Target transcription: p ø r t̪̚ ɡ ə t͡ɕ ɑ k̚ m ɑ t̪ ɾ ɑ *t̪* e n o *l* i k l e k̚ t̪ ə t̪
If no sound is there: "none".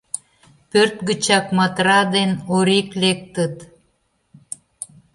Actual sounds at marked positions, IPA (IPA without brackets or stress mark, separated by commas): d̪, ɾ